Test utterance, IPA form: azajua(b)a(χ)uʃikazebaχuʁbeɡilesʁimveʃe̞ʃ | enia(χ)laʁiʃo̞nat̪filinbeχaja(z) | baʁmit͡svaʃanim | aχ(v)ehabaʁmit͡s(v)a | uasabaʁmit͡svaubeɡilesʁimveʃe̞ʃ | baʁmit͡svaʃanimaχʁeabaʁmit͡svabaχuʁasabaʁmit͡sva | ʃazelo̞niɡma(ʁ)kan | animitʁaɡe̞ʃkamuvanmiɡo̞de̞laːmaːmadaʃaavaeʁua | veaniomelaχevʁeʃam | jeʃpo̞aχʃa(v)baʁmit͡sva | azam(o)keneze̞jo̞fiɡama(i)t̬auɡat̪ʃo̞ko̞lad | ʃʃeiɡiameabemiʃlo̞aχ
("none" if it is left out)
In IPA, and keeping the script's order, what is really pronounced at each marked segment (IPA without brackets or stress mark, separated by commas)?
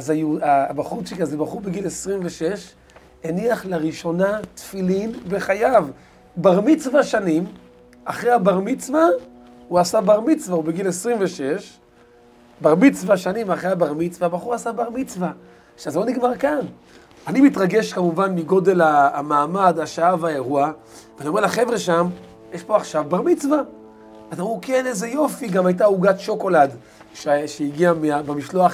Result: b, χ, χ, v, ʁ, v, ʁ, v, u, j